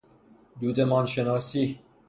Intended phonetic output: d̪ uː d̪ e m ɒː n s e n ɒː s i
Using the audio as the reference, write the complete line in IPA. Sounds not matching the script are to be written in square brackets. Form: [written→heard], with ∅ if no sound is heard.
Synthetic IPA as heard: d̪ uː d̪ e m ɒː n [s→ʃ] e n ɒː s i